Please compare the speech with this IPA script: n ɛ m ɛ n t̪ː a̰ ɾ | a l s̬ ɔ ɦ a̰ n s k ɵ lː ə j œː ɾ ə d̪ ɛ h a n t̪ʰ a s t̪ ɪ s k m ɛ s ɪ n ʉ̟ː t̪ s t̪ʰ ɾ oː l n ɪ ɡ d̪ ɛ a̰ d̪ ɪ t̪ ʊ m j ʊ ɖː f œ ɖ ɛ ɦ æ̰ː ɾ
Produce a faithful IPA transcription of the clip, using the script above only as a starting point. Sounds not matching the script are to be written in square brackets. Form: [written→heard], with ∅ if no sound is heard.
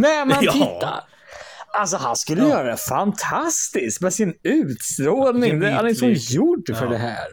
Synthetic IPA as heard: n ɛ m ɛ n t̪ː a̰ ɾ | a l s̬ ɔ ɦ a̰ n s k ɵ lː ə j œː ɾ [ə→a] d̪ ɛ [h→f] a n t̪ʰ a s t̪ ɪ s k m ɛ s ɪ n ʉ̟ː t̪ s [t̪ʰ→t̪] ɾ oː l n ɪ [ɡ→ŋ] d̪ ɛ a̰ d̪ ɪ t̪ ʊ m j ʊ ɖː f œ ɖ ɛ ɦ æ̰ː ɾ